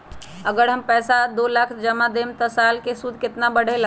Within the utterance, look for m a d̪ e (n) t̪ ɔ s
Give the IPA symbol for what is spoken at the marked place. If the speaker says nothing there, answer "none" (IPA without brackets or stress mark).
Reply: m